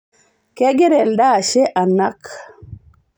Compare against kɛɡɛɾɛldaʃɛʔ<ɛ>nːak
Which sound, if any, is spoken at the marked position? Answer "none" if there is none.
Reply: a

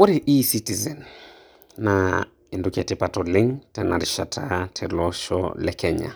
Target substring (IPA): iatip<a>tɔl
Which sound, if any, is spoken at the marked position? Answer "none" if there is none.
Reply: a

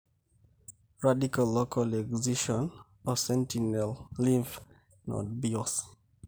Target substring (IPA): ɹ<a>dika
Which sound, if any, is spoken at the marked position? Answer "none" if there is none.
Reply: a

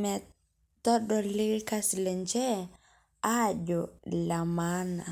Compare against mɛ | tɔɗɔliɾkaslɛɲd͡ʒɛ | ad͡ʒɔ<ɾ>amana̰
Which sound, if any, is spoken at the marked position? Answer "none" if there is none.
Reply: l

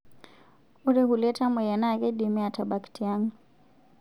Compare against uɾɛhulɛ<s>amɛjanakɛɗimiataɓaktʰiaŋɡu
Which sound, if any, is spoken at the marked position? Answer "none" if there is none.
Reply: t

